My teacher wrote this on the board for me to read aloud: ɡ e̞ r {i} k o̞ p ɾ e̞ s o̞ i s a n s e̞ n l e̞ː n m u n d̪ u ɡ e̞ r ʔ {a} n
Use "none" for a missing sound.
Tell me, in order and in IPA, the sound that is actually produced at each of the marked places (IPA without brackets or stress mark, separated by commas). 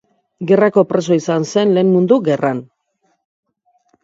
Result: a, a